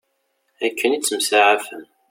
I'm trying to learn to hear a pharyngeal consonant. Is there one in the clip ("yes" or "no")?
yes